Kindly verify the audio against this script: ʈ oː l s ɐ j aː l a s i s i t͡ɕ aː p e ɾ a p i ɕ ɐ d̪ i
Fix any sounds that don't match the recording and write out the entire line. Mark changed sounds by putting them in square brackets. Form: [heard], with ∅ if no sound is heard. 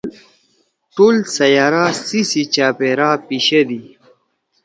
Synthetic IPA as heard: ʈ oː l s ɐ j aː [ɾ] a s i s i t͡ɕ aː p e ɾ a p i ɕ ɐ d̪ i